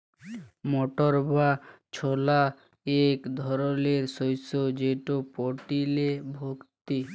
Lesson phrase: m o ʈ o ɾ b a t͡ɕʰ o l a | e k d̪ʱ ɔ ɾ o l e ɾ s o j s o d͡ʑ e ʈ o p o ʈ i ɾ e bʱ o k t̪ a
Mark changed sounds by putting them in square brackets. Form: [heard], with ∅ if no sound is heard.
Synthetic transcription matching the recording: m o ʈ o ɾ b a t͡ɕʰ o l a | e k d̪ʱ ɔ ɾ o l e ɾ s o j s o d͡ʑ e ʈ o p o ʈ i [l] e bʱ o k t̪ [i]